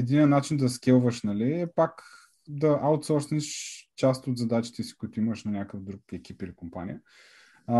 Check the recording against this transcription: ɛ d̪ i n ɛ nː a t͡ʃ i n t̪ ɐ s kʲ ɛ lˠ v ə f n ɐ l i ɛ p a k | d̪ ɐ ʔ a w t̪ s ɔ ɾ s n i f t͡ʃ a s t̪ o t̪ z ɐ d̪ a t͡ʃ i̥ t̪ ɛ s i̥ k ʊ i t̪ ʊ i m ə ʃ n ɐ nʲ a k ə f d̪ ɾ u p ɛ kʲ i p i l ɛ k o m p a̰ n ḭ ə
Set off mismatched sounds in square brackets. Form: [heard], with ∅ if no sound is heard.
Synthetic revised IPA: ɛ d̪ i n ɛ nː a t͡ʃ i n [d̪] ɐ s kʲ ɛ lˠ v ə [ʃ] n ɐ l i ɛ p a k | d̪ ɐ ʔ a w t̪ s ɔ ɾ s n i [ʃ] t͡ʃ a s t̪ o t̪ z ɐ d̪ a t͡ʃ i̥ t̪ ɛ s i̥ k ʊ i t̪ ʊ i m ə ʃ n ɐ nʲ a k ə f d̪ ɾ u [k] ɛ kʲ i p i l [i] k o m p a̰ n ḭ ə